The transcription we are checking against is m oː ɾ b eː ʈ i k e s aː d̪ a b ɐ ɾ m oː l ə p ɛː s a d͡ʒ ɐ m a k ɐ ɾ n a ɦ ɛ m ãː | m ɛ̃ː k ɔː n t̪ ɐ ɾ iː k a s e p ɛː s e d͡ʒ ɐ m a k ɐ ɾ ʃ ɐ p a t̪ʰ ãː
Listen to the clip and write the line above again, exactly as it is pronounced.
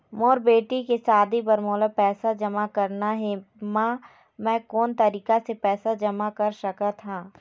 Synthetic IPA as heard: m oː ɾ b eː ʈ i k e s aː d̪ i b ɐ ɾ m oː l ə p ɛː s a d͡ʒ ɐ m a k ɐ ɾ n a ɦ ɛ m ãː | m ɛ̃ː k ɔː n t̪ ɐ ɾ iː k a s e p ɛː s a d͡ʒ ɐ m a k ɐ ɾ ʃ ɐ k a t̪ʰ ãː